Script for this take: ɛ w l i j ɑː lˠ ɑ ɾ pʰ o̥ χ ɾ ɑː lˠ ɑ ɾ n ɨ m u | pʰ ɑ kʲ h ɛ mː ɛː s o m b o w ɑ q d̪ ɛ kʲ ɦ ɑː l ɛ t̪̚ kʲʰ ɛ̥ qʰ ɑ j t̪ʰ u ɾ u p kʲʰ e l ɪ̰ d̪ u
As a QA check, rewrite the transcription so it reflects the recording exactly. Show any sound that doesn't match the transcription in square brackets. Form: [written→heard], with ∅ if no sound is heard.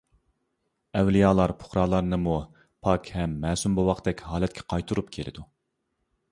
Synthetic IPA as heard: ɛ w l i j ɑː lˠ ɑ ɾ pʰ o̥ χ ɾ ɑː lˠ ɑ ɾ n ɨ m u | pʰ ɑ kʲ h ɛ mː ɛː s [o→u] m b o w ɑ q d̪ ɛ kʲ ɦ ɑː l ɛ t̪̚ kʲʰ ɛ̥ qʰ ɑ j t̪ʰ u ɾ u p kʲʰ e l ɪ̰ d̪ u